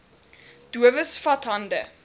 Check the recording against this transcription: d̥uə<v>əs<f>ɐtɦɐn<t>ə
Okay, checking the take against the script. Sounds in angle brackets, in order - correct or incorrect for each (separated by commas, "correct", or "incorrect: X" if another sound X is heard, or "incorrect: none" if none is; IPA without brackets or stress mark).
correct, correct, incorrect: d